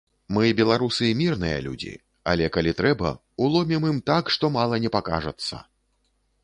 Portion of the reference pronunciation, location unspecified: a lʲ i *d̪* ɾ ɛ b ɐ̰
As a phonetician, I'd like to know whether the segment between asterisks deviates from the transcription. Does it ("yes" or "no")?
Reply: yes